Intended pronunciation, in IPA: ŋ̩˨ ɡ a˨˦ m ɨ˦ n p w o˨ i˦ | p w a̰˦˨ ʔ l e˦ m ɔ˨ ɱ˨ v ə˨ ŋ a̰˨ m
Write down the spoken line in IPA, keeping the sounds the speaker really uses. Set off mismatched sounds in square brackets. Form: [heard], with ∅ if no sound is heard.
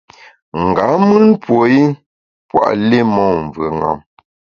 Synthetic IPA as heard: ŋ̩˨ ɡ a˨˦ m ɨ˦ n p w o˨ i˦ | p w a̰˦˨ ʔ l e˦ m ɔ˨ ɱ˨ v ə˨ ŋ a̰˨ m